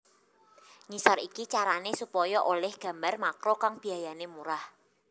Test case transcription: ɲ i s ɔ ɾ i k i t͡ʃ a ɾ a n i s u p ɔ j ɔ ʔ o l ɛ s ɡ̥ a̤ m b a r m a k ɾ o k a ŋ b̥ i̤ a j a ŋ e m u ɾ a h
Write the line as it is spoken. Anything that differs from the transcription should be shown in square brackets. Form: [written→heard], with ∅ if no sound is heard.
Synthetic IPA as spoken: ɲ i s ɔ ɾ i k i t͡ʃ a ɾ a n [i→e] s u p ɔ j ɔ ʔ o l ɛ [s→h] ɡ̥ a̤ m b a r m a k ɾ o k a ŋ b̥ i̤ a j a [ŋ→n] e m u ɾ a h